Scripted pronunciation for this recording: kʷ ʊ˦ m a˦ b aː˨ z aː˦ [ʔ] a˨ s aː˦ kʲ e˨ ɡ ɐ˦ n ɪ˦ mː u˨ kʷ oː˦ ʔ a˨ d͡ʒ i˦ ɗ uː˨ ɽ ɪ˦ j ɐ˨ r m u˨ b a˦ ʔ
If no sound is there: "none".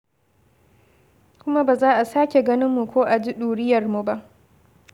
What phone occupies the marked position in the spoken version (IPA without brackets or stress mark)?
ʔ